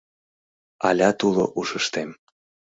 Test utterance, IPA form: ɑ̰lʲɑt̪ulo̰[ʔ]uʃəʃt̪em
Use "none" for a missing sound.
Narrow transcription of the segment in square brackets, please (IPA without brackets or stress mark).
ʔ